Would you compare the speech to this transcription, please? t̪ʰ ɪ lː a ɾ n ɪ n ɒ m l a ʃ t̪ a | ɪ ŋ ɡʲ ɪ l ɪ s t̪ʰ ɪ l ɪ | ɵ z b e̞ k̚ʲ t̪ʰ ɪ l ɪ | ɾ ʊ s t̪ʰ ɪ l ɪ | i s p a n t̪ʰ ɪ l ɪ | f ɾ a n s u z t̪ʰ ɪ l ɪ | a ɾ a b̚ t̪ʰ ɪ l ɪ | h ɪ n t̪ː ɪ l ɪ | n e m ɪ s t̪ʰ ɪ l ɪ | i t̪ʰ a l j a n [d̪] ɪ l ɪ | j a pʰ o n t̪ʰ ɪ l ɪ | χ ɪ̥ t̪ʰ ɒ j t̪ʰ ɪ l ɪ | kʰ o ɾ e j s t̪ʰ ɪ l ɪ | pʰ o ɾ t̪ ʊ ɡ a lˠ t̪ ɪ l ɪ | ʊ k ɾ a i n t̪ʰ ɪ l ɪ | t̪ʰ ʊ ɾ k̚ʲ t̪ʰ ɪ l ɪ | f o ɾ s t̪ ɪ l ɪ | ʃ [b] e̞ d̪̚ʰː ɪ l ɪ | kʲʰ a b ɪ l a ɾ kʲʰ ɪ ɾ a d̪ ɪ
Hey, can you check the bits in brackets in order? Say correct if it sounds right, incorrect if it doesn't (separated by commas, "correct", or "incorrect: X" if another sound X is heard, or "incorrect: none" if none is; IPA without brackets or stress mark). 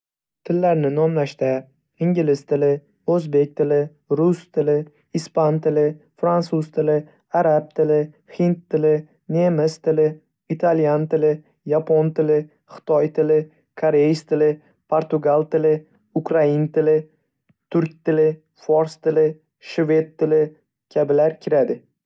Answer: incorrect: t̪, incorrect: v